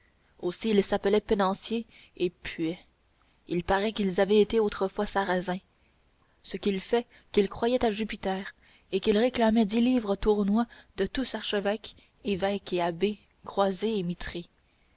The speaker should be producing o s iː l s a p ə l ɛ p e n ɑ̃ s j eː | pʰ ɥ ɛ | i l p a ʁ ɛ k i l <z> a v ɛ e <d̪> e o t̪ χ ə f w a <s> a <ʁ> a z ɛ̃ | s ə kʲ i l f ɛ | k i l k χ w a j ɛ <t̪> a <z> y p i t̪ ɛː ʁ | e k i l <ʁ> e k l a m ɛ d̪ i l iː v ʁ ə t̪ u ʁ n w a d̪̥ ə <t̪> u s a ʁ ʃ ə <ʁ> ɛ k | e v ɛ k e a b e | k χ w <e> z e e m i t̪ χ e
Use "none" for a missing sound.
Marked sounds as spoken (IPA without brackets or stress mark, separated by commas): z, t̪, s, ʁ, t̪, ʒ, ʁ, t̪, v, a